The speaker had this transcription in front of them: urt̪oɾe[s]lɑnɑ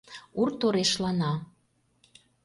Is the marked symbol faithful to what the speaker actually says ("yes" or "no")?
no